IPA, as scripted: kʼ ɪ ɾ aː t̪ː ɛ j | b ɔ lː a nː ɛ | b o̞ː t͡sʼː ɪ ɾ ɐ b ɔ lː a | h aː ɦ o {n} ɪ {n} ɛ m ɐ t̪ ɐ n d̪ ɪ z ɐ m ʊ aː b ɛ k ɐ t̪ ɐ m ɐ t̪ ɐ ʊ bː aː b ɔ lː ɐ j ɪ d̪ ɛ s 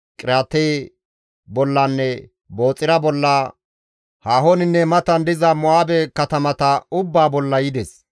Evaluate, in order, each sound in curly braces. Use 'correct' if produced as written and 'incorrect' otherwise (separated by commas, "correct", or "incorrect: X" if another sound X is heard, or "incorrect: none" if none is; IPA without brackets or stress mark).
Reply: correct, incorrect: nː